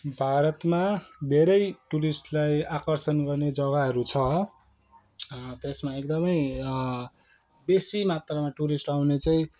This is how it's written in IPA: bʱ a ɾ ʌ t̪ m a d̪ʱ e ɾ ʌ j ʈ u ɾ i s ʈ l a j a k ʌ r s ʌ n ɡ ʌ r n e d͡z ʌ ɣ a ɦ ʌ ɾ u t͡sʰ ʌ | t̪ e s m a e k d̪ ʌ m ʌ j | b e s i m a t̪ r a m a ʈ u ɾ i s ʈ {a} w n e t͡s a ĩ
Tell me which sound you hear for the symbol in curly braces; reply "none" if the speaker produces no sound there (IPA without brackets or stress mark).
a